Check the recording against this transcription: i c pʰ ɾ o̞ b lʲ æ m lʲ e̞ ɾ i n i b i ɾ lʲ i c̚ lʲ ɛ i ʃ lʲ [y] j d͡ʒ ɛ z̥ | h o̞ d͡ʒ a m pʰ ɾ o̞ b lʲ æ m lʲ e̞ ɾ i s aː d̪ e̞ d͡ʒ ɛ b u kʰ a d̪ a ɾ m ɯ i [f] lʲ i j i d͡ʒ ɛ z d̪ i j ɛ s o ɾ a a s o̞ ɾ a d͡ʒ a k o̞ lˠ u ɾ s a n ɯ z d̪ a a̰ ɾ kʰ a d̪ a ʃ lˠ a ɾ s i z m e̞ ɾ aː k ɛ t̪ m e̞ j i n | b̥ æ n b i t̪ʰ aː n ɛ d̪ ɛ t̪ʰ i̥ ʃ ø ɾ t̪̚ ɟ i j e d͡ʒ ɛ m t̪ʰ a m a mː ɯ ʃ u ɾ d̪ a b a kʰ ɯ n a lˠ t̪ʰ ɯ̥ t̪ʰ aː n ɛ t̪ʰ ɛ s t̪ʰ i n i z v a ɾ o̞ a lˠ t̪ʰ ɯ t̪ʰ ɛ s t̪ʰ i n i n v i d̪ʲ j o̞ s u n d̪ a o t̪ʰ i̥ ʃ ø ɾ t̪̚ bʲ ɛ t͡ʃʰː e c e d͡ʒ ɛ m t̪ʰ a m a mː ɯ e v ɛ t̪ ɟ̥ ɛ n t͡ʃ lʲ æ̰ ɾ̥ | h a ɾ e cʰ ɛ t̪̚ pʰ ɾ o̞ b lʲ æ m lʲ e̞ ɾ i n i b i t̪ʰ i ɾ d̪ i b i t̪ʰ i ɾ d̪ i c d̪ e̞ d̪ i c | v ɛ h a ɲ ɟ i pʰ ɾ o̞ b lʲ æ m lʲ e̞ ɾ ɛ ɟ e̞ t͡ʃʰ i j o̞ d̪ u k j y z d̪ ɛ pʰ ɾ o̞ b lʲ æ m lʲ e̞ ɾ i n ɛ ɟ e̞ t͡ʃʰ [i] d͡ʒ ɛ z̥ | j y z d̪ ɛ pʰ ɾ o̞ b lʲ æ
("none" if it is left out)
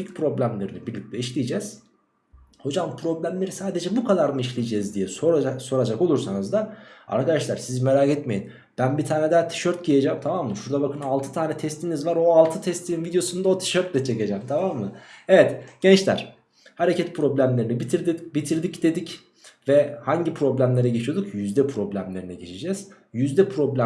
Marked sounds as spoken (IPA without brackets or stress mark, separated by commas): i, ʃ, i